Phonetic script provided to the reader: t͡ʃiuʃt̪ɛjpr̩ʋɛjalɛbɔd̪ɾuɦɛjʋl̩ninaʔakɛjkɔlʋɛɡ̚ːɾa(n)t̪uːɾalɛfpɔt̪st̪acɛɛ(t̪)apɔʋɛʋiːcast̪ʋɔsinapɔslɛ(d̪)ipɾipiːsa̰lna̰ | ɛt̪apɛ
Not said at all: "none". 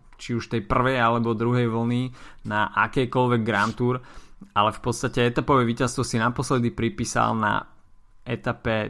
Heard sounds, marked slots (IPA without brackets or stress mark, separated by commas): n, t̪, d̪